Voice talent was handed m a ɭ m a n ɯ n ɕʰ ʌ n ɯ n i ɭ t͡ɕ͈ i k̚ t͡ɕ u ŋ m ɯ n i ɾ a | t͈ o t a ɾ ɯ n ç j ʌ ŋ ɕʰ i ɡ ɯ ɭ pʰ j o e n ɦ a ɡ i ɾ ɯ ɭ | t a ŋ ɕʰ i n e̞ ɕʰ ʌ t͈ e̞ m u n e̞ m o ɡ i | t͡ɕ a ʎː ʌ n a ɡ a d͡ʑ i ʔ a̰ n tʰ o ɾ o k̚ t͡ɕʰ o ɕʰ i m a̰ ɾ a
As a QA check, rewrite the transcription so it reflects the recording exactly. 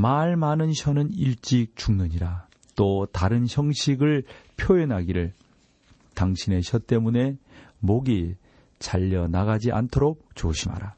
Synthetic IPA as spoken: m a ɭ m a n ɯ n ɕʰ ʌ n ɯ n i ɭ t͡ɕ͈ i k̚ t͡ɕ u ŋ n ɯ ɲ i ɾ a | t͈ o t a ɾ ɯ n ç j ʌ ŋ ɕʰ i ɡ ɯ ɭ pʰ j o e n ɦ a ɡ i ɾ ɯ ɭ | t a ŋ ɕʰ i n e̞ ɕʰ ʌ t͈ e̞ m u n e̞ m o ɡ i | t͡ɕ a ʎː ʌ n a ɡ a d͡ʑ i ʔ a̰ n tʰ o ɾ o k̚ t͡ɕ o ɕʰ i m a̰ ɾ a